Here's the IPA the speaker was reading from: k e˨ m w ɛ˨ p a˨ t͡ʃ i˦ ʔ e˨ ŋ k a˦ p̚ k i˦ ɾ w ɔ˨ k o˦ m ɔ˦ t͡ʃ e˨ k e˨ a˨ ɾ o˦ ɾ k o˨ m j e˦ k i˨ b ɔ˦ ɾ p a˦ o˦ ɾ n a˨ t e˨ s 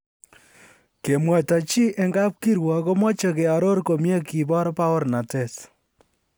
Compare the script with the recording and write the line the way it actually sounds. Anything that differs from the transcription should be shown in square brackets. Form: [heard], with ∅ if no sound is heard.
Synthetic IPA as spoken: k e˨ m w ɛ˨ [t] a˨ t͡ʃ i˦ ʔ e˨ ŋ [ɡ] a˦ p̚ k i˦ ɾ w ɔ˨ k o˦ m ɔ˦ t͡ʃ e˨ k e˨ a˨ ɾ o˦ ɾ k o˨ m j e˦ k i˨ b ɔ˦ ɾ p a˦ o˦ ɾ n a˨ t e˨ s